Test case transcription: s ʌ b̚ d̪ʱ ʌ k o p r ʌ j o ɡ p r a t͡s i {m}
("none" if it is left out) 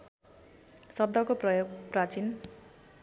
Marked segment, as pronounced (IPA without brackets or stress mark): n